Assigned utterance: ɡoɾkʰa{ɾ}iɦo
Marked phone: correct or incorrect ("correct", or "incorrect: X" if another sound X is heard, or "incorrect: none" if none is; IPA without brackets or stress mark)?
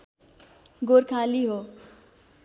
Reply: incorrect: l